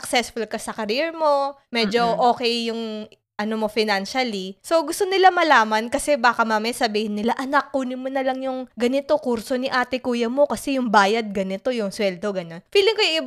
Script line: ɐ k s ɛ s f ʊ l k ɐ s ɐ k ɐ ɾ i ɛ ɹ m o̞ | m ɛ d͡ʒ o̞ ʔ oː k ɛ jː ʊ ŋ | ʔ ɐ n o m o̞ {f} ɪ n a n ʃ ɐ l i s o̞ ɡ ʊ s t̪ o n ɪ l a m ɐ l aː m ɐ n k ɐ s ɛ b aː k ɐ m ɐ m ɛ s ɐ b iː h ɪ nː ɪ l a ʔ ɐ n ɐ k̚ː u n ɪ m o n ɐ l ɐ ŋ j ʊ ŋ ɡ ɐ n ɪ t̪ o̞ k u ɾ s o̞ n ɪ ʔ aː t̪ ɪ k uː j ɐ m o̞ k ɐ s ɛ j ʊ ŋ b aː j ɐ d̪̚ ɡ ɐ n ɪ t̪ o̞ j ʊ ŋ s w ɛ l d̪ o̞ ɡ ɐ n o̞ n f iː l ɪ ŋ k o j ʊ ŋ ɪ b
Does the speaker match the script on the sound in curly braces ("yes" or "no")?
yes